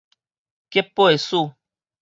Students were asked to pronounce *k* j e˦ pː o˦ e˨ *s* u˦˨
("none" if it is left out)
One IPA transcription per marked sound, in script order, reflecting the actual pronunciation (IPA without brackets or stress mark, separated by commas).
k, s